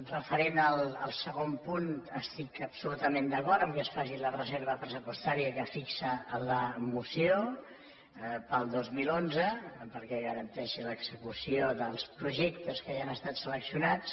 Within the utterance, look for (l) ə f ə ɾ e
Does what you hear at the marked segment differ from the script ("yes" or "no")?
yes